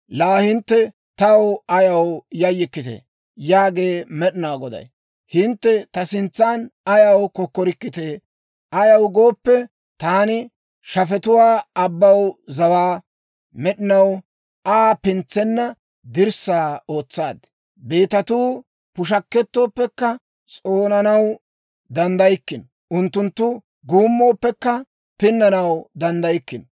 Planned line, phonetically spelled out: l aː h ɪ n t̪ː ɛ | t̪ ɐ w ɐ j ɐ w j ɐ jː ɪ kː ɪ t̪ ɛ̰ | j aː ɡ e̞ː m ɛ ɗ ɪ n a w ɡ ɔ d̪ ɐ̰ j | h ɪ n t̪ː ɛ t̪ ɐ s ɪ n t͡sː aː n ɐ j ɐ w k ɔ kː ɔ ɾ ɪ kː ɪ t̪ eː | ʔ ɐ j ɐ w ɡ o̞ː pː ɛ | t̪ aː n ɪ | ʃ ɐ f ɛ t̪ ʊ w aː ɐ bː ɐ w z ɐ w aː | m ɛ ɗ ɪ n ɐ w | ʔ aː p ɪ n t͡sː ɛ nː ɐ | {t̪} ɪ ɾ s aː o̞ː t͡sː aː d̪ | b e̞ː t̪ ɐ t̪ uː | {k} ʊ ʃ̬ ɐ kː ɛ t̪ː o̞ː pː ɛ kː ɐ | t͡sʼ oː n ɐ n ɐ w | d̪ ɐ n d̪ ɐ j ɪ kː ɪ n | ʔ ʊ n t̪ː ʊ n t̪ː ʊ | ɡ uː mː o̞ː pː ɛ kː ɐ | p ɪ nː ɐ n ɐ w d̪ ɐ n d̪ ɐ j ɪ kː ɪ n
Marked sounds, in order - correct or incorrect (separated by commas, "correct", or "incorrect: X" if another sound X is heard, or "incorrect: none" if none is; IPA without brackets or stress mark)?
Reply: incorrect: d̪, incorrect: p